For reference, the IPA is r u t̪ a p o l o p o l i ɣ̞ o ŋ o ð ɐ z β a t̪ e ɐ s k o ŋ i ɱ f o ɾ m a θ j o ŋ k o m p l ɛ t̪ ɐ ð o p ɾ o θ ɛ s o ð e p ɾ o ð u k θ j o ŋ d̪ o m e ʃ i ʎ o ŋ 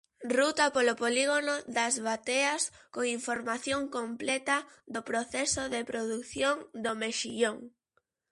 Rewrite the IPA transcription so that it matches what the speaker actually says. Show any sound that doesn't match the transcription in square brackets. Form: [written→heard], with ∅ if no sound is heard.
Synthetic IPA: r u t̪ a p o l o p o l i ɣ̞ o [ŋ→n] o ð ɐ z β a t̪ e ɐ s k o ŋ i ɱ f o ɾ m a θ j o ŋ k o m p l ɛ t̪ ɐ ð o p ɾ o θ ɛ s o ð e p ɾ o ð u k θ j o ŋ d̪ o m e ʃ i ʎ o ŋ